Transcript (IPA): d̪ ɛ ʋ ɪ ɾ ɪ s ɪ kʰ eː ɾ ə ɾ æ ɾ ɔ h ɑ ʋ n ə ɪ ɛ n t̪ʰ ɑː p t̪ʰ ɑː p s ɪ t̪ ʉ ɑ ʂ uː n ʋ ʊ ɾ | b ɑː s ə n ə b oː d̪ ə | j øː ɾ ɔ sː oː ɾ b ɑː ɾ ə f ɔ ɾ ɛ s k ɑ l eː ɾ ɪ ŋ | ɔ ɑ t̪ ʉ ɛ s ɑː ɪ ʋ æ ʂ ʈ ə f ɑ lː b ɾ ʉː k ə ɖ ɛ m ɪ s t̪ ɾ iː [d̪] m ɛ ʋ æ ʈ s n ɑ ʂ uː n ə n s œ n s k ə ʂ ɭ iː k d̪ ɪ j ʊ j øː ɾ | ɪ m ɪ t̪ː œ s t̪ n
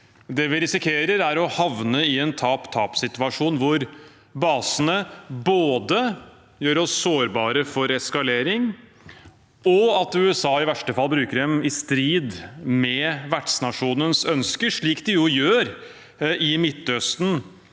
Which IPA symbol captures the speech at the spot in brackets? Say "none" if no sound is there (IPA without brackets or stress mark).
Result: d̪